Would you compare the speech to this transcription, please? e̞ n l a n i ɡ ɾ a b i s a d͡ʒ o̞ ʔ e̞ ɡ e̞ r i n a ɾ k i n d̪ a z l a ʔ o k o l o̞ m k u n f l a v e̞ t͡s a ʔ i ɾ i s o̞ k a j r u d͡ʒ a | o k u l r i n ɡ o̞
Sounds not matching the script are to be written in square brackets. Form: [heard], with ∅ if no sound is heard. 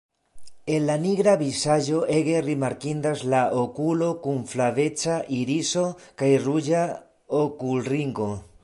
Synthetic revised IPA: e̞ n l a n i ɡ ɾ a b i s a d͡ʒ o̞ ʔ e̞ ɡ e̞ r i [m] a ɾ k i n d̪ a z l a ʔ o k [u] l o̞ [∅] k u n f l a v e̞ t͡s a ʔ i ɾ i s o̞ k a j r u d͡ʒ a | o k u l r i [ŋ] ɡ o̞